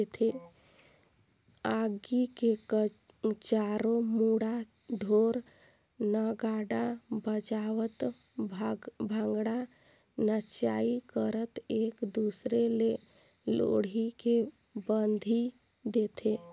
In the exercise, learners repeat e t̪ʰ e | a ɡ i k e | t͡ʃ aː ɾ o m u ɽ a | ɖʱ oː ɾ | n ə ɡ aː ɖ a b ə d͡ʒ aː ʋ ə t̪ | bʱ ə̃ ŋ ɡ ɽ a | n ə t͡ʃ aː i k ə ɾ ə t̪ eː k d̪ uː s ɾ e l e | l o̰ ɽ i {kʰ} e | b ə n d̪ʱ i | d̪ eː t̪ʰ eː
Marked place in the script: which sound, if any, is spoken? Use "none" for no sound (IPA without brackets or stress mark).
k